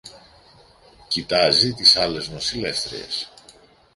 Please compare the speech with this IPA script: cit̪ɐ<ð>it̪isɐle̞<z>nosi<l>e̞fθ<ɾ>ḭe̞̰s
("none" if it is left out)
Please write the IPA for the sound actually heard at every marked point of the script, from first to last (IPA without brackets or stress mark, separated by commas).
z, z, l, ɾ